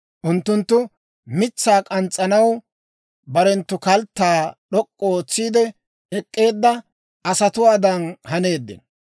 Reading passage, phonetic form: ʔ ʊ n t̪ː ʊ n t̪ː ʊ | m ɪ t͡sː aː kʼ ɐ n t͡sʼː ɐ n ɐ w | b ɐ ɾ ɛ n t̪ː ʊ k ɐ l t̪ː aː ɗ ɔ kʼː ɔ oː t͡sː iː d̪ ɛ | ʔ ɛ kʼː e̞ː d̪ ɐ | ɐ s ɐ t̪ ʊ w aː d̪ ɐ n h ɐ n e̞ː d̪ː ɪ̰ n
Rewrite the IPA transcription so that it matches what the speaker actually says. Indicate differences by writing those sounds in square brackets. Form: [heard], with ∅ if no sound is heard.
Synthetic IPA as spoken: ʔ ʊ n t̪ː ʊ n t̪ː ʊ | m ɪ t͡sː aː kʼ ɐ n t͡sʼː ɐ n ɐ w | b ɐ ɾ ɛ n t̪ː ʊ k ɐ l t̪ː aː ɗ ɔ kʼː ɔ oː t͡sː iː d̪ ɛ | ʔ ɛ kʼː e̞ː [d̪ː] ɐ | ɐ s ɐ t̪ ʊ w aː d̪ ɐ n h ɐ n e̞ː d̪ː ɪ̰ n